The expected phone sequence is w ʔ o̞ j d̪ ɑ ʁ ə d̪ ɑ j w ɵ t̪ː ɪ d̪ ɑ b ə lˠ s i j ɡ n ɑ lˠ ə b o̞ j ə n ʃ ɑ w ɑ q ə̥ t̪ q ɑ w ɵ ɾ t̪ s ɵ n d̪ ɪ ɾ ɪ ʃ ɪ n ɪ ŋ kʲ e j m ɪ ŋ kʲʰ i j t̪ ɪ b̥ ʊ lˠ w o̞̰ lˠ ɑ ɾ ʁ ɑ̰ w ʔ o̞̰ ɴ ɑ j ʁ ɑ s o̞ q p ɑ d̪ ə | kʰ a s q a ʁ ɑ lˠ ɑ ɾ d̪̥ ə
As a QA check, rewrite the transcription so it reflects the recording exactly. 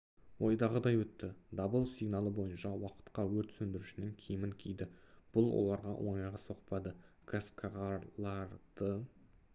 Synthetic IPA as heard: w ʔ o̞ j d̪ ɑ ʁ ə d̪ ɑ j w ɵ t̪ː ɪ d̪ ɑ b ə lˠ s i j ɡ n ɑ lˠ ə b o̞ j ə n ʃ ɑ w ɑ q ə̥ t̪ q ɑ w ɵ ɾ t̪ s ɵ n d̪ ɪ ɾ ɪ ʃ ɪ n ɪ ŋ kʲʰ e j m ɪ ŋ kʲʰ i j d̪ ɪ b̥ ʊ lˠ w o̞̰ lˠ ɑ ɾ ʁ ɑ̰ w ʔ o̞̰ ɴ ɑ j ʁ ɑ s o̞ q p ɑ d̪ ə | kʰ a s k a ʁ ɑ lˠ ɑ ɾ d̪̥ ə

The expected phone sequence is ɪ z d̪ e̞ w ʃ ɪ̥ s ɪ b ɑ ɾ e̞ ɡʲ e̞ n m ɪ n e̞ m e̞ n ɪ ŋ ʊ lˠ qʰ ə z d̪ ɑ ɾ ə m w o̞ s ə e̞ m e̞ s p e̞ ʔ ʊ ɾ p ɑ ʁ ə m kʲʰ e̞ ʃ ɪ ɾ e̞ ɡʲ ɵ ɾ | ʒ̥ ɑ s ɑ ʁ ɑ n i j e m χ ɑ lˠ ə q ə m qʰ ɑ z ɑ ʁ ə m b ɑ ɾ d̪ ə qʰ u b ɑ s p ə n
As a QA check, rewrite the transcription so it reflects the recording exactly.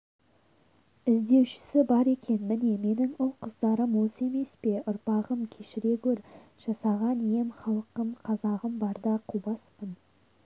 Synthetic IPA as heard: ɪ z d̪ e̞ w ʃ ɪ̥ s ɪ b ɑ ɾ e̞ kʲ e̞ n m ɪ n e̞ m e̞ n ɪ ŋ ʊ lˠ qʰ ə z d̪ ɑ ɾ ə m w o̞ s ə e̞ m e̞ s p e̞ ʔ ʊ ɾ p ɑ ʁ ə m kʲʰ e̞ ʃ ɪ ɾ e̞ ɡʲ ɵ ɾ | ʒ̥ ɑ s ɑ ʁ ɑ n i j e m χ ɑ lˠ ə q ə m qʰ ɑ z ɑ ʁ ə m b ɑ ɾ d̪ ɑ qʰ u b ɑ s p ə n

